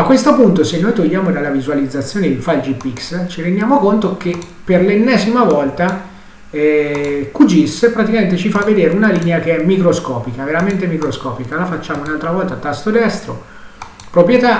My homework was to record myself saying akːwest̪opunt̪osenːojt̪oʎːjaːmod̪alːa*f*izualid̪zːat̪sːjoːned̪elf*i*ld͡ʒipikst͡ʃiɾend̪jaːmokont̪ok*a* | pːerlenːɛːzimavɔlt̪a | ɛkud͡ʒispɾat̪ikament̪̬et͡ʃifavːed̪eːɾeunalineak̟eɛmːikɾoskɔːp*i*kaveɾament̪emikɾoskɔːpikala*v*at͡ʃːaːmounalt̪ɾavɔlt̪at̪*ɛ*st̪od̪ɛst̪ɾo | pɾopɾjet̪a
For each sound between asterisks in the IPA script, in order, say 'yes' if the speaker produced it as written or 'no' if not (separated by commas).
no, no, no, yes, no, no